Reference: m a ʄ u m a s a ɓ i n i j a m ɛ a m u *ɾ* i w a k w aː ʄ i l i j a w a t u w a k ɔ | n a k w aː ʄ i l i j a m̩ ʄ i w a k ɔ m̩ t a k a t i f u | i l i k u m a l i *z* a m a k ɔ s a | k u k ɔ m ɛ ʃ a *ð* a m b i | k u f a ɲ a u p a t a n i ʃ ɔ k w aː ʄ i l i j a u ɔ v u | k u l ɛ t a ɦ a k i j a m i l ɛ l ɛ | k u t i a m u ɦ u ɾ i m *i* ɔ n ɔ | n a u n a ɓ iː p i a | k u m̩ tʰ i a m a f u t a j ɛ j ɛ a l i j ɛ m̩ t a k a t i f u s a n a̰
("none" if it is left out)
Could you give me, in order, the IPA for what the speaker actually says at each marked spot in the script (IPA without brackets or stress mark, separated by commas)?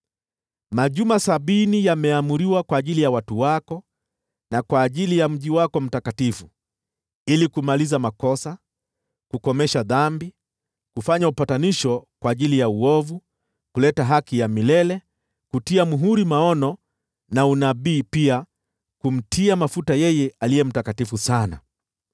ɾ, z, ð, a